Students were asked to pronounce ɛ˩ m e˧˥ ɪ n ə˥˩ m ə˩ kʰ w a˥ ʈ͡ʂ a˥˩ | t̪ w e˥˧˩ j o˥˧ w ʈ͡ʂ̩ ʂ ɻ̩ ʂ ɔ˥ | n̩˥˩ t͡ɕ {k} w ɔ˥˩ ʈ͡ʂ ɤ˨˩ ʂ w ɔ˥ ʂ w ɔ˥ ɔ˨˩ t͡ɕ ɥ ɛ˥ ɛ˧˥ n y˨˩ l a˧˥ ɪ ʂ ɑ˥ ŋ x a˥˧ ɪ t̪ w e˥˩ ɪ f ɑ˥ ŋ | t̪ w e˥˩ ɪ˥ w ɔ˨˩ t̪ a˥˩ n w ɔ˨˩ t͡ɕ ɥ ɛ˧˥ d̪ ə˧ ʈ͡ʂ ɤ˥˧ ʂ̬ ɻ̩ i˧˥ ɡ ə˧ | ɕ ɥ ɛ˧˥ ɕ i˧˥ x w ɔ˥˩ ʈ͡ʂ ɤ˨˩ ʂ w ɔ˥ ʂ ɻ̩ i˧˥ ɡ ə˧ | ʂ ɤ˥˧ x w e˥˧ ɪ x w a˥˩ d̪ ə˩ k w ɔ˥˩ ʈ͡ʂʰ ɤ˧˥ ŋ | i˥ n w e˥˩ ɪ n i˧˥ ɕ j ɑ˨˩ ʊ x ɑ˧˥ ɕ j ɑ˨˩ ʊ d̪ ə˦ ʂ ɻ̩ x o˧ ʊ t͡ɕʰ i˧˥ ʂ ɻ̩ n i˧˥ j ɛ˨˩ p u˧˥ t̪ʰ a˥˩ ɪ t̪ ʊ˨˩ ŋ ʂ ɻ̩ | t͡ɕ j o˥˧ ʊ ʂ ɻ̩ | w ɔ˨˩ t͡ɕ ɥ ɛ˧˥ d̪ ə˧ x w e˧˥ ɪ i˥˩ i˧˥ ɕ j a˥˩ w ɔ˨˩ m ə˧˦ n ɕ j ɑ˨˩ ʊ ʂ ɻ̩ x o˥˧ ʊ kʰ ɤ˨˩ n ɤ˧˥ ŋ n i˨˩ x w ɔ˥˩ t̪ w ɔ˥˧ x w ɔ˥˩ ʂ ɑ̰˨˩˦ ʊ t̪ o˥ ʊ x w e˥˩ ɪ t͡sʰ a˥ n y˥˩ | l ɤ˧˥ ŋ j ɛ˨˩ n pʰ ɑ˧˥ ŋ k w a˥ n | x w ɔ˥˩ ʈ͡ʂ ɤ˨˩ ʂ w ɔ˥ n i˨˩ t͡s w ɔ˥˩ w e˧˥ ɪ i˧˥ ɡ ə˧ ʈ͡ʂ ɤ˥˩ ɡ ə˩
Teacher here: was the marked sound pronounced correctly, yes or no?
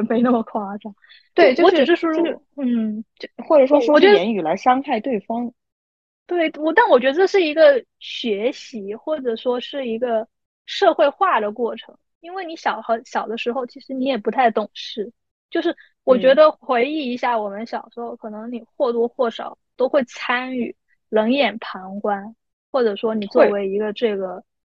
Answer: no